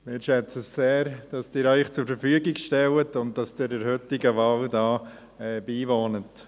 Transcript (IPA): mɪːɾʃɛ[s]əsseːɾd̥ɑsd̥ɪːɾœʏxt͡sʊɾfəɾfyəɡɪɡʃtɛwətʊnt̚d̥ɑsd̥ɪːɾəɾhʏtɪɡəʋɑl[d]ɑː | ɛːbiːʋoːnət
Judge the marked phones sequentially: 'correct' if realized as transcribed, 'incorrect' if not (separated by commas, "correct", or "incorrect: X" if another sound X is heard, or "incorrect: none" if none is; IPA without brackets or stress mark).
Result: incorrect: t͡s, correct